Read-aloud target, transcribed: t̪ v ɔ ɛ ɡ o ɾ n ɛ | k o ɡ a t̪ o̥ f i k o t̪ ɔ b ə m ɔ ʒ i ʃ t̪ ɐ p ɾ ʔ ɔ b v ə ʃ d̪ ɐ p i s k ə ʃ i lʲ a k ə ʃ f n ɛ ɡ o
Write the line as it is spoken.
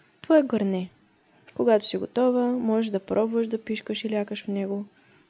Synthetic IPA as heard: t̪ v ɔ ɛ ɡ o ɾ n ɛ | k o ɡ a t̪ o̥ s i ɡ o t̪ ɔ v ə m ɔ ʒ ɛ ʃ d̪ ɐ p ɾ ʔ ɔ b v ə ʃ d̪ ɐ p i ʃ k ə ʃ i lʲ a k ə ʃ f n ɛ ɡ o